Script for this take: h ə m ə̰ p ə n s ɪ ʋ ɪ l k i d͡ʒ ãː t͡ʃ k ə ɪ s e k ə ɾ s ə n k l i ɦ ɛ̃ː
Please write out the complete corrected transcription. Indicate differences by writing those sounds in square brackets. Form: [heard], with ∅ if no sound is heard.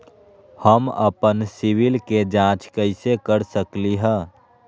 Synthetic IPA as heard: h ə m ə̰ p ə n s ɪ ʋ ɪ l k [e] d͡ʒ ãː t͡ʃ k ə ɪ s e k ə ɾ s ə [∅] k l i ɦ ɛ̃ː